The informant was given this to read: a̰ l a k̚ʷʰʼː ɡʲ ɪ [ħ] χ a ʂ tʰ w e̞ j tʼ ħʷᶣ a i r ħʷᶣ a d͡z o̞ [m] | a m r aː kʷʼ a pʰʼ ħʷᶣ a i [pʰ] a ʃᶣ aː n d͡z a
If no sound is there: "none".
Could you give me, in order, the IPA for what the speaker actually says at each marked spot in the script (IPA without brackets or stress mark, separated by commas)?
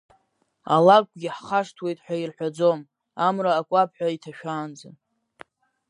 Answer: ħ, m, tʰ